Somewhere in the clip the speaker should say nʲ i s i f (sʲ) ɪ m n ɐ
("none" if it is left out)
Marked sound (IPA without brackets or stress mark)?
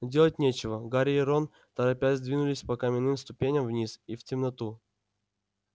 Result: tʲ